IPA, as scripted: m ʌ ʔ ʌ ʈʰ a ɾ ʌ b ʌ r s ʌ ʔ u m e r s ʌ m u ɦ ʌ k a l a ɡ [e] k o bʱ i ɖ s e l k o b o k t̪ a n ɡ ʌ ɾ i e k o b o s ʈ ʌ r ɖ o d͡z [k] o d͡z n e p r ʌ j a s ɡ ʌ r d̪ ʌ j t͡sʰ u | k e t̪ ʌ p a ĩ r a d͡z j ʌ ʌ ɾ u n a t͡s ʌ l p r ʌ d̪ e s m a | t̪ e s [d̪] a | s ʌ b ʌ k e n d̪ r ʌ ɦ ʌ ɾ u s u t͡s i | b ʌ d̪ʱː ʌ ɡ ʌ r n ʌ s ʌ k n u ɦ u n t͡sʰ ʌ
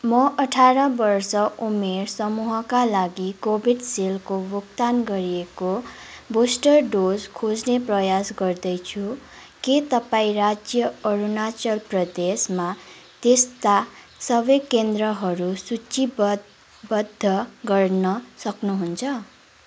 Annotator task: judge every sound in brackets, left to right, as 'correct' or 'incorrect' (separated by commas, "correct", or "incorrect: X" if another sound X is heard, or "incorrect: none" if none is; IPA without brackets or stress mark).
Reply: incorrect: i, incorrect: kʰ, incorrect: t̪